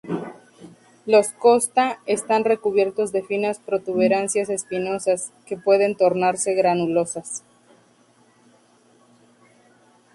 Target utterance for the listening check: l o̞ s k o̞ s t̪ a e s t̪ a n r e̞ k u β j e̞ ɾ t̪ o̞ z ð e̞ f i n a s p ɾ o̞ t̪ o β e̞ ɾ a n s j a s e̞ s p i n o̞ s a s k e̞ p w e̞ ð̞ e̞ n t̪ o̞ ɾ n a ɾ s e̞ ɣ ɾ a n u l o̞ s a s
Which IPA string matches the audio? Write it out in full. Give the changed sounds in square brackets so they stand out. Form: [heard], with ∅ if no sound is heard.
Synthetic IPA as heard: l o̞ s k o̞ s t̪ a e s t̪ a n r e̞ k u β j e̞ ɾ t̪ o̞ z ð e̞ f i n a s p ɾ o̞ t̪ [u] β e̞ ɾ a n s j a s e̞ s p i n o̞ s a s k e̞ p w e̞ ð̞ e̞ n t̪ o̞ ɾ n a ɾ s e̞ ɣ ɾ a n u l o̞ s a s